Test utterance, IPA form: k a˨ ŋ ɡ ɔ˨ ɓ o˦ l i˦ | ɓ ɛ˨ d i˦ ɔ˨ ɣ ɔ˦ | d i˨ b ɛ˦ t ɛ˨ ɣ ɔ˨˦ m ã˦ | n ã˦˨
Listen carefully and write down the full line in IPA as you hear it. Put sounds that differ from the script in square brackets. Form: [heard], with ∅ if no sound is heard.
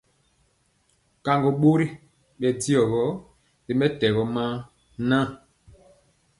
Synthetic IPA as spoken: k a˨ ŋ ɡ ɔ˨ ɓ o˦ [ɾ] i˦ | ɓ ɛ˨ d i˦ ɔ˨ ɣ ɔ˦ | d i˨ [m] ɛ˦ t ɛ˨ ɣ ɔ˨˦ m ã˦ | n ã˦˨